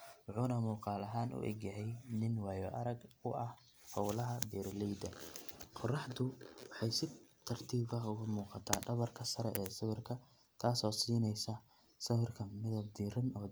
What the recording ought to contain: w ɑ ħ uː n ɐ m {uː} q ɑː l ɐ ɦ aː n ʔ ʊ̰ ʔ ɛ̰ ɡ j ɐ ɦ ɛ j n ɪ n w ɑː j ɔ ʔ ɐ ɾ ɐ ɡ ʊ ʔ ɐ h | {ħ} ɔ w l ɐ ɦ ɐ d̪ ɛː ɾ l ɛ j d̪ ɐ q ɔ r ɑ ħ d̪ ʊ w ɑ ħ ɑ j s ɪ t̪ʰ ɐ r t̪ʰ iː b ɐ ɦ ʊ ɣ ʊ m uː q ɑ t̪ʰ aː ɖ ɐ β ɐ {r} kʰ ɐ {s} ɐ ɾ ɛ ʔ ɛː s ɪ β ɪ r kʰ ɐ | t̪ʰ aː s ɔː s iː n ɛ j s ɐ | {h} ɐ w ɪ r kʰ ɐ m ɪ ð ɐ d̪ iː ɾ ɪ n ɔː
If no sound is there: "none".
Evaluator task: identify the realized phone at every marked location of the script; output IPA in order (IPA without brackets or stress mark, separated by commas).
uː, h, r, s, s